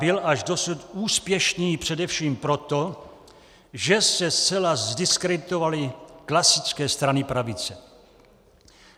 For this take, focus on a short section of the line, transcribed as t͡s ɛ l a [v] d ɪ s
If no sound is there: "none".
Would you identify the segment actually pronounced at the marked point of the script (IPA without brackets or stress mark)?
z